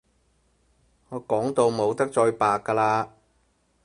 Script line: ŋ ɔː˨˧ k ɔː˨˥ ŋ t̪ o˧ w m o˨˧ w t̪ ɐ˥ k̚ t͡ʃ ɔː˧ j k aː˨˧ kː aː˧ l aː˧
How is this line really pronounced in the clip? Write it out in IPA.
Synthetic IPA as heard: ŋ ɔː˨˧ k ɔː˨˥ ŋ t̪ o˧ w m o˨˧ w t̪ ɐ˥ k̚ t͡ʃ ɔː˧ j p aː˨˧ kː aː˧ l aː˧